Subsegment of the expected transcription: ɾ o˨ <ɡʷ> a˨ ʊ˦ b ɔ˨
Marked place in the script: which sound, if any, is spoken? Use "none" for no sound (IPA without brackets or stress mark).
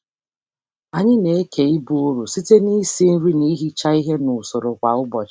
kʷ